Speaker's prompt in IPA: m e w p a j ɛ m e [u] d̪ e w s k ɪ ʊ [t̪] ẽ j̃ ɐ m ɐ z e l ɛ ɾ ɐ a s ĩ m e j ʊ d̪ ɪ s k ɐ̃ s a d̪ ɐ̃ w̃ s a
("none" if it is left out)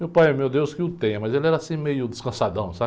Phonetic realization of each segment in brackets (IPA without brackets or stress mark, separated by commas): w, t̪